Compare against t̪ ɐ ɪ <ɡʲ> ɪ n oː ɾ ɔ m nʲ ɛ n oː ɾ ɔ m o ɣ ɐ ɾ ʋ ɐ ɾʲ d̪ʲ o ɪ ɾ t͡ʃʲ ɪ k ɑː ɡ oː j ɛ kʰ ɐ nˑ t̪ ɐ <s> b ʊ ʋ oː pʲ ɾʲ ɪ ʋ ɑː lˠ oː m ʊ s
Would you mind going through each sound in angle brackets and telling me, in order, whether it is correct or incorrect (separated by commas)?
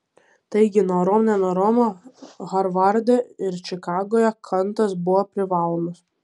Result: correct, correct